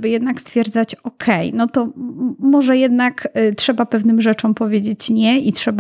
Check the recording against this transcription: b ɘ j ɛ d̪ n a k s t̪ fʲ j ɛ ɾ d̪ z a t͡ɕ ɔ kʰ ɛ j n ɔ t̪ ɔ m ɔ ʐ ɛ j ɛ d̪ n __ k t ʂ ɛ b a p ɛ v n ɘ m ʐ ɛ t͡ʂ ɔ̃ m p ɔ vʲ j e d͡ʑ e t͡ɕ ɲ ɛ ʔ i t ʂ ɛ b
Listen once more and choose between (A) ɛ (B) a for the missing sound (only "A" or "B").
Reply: B